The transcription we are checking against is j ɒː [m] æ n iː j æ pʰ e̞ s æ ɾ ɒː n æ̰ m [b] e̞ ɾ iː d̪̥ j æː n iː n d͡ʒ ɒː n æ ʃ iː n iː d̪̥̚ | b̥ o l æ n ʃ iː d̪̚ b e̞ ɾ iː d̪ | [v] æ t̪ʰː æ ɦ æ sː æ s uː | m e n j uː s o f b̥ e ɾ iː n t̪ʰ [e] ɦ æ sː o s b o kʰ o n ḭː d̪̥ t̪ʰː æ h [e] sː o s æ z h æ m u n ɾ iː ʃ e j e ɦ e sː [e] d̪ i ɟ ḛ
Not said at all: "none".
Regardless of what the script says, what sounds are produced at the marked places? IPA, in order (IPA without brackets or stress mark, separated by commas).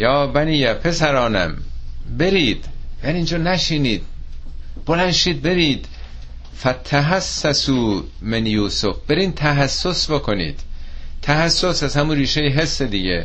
b, b, f, æ, æ, e